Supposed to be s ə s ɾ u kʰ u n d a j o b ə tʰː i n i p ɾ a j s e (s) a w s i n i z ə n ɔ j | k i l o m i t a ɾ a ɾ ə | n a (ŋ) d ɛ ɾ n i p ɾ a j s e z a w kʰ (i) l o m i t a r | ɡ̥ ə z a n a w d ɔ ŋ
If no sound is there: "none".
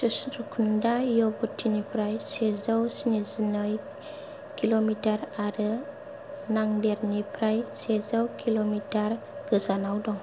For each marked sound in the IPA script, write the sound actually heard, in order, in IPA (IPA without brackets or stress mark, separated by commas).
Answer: z, ŋ, i